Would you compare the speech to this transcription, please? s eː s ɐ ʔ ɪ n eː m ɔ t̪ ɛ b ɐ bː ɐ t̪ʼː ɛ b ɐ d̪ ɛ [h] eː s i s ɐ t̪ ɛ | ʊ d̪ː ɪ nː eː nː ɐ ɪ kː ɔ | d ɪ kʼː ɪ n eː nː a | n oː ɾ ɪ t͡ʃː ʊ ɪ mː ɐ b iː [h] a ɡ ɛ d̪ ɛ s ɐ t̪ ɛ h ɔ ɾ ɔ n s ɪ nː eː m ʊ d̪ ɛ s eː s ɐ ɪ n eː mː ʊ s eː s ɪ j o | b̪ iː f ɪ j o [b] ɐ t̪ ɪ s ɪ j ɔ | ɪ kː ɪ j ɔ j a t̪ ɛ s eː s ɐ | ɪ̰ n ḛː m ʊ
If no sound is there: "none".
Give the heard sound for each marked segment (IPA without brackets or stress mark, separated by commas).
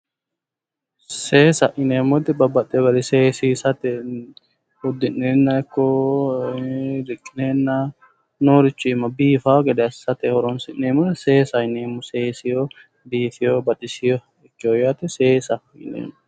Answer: s, f, b